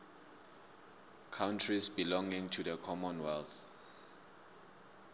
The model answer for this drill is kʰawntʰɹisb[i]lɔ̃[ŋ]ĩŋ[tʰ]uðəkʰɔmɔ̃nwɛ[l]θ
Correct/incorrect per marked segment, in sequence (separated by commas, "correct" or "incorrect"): correct, correct, correct, correct